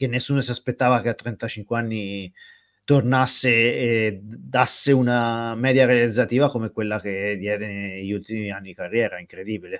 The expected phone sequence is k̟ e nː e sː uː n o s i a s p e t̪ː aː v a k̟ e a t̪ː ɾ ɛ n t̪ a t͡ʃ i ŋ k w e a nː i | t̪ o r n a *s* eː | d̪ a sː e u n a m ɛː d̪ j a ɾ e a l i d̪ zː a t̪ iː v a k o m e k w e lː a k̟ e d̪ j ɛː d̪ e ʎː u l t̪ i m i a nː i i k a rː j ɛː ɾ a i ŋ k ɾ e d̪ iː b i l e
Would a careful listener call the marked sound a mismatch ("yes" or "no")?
yes